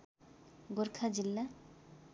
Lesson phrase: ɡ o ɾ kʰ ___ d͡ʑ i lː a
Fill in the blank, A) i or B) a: B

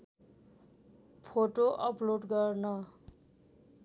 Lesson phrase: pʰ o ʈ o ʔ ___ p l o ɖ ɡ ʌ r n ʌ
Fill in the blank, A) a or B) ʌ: B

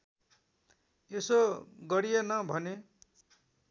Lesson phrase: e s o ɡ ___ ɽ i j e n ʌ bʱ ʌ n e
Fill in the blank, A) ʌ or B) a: A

